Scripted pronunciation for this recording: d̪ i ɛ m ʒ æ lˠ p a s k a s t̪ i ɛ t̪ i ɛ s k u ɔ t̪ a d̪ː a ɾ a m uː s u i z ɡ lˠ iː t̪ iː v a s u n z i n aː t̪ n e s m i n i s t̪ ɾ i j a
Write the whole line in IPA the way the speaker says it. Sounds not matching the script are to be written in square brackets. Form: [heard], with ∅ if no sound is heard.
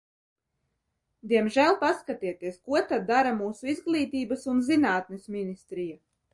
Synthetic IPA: d̪ i ɛ m ʒ æ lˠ p a s k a [∅] t̪ i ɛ t̪ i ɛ s k u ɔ t̪ a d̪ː a ɾ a m uː s u i z ɡ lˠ iː t̪ iː [b] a s u n z i n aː t̪ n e s m i n i s t̪ ɾ i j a

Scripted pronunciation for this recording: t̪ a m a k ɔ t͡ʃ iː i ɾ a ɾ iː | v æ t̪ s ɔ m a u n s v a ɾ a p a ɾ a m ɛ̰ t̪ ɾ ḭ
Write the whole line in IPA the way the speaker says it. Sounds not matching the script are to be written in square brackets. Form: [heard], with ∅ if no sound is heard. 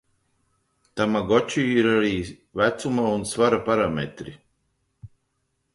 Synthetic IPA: t̪ a m a [ɡ] ɔ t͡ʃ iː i ɾ a ɾ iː | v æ t̪ s [u] m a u n s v a ɾ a p a ɾ a m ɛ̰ t̪ ɾ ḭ

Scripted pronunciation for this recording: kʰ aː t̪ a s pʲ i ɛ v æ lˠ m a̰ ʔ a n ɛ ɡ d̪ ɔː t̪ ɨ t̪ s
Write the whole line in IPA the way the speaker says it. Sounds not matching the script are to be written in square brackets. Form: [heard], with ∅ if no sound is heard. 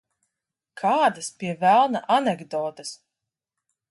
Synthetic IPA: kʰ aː [d̪] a s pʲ i ɛ v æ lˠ [n] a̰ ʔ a n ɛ ɡ d̪ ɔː t̪ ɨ [∅] s

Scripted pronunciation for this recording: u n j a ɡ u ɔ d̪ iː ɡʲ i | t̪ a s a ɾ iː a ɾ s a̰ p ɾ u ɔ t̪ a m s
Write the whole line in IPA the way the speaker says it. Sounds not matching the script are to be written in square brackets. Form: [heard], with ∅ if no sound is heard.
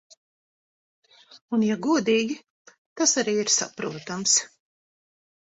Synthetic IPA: u n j a ɡ u ɔ d̪ iː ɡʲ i | t̪ a s a ɾ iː [i] ɾ s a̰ p ɾ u ɔ t̪ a m s

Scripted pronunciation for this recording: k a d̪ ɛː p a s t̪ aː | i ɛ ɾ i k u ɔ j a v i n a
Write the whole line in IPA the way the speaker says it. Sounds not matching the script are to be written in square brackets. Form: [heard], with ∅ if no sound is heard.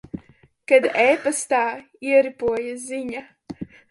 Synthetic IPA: k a d̪ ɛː p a s t̪ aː | i ɛ ɾ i [p] u ɔ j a [z] i [ɲ] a

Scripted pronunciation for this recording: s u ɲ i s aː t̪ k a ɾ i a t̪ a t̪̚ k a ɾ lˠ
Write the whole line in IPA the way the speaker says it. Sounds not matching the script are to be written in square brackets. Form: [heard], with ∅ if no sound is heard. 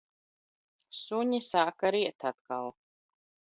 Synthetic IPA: s u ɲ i s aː [∅] k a ɾ i [ɛ] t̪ a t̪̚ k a [∅] lˠ

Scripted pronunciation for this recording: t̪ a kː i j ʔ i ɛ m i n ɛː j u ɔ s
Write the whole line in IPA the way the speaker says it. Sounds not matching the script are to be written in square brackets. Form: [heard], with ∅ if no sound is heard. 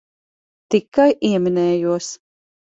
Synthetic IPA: t̪ [i] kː [a] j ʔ i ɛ m i n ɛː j u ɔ s

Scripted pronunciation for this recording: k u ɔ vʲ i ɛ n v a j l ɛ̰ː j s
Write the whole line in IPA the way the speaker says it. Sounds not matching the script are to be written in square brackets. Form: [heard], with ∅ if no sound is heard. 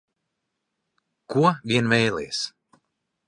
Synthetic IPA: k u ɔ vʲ i ɛ n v [ɛ] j l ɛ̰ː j s

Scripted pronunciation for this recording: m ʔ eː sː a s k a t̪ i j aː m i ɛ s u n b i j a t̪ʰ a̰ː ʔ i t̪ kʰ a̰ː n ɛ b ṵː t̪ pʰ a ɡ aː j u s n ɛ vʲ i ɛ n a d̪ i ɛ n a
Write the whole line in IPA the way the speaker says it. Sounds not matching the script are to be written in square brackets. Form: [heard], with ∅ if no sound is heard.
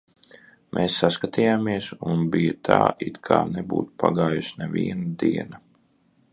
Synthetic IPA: m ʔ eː sː a s k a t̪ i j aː m i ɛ s u n b i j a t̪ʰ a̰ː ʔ i t̪ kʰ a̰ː n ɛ b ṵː t̪ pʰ a ɡ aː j u s n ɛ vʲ i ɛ n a d̪ i ɛ n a

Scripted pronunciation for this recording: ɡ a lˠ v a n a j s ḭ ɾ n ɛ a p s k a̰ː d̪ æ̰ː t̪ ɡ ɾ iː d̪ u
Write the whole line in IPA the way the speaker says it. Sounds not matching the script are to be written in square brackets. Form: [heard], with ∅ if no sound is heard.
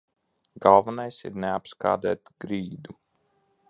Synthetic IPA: ɡ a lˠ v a n a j s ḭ ɾ n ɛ a p s k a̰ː d̪ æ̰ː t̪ ɡ ɾ iː d̪ u

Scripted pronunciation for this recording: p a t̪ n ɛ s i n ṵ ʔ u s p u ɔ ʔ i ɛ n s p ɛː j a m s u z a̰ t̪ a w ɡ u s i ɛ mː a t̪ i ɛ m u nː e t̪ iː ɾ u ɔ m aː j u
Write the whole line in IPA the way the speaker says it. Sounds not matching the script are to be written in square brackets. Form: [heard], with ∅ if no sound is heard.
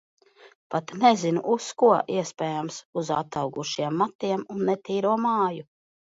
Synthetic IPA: p a t̪ n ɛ [z] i n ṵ ʔ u s [k] u ɔ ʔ i ɛ [∅] s p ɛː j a m s u z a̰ t̪ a w ɡ u [ʃ] i ɛ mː a t̪ i ɛ m u nː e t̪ iː ɾ u ɔ m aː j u

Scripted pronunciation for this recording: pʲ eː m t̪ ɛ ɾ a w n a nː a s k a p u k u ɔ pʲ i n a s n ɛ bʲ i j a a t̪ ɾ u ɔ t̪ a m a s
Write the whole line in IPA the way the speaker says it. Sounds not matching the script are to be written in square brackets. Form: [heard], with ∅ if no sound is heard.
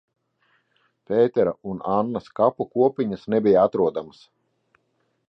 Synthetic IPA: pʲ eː [∅] t̪ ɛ ɾ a [u] n a nː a s k a p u k u ɔ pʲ i [ɲ] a s n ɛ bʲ i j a a t̪ ɾ u ɔ [d̪] a m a s

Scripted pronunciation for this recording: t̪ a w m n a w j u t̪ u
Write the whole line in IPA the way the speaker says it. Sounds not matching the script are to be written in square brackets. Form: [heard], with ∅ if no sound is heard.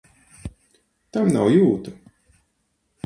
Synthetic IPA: t̪ a [∅] m n a w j [uː] t̪ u

